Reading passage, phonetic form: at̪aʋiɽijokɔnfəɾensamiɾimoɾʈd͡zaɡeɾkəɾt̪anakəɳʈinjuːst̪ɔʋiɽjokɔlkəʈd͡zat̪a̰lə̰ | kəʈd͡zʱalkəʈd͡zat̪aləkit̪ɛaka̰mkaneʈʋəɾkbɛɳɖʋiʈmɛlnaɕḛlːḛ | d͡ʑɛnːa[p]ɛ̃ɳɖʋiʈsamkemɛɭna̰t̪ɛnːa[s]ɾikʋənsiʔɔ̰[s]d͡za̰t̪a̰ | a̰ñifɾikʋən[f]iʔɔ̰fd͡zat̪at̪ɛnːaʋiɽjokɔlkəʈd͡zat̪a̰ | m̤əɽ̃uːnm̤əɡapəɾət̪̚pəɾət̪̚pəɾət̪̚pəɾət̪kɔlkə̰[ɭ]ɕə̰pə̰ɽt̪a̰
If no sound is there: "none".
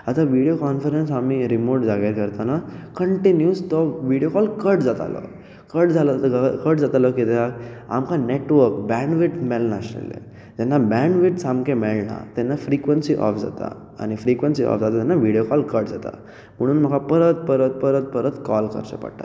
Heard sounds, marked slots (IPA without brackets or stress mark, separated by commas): b, f, f, s, ɾ